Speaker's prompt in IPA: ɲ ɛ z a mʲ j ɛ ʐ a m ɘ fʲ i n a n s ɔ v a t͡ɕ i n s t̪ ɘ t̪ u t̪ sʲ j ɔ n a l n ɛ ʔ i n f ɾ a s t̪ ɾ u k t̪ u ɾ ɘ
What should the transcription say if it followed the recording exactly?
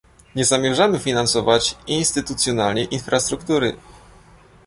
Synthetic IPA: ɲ ɛ z a mʲ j ɛ ʐ a m ɘ fʲ i n a n s ɔ v a t͡ɕ i n s t̪ ɘ t̪ u t̪ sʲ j ɔ n a l ɲ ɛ ʔ i n f ɾ a s t̪ ɾ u k t̪ u ɾ ɘ

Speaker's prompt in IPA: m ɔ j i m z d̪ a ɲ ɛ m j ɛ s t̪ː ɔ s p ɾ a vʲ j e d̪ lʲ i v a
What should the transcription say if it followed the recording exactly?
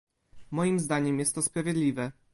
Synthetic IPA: m ɔ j i m z d̪ a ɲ ɛ m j ɛ s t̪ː ɔ s p ɾ a vʲ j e d̪ lʲ i v ɛ

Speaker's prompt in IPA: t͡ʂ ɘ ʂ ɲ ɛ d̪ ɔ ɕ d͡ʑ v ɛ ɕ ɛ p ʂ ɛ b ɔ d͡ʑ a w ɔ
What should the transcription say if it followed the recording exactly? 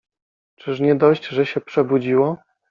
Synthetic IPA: t͡ʂ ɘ ʂ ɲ ɛ d̪ ɔ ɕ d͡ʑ ʐ ɛ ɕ ɛ p ʂ ɛ b u d͡ʑ i w ɔ

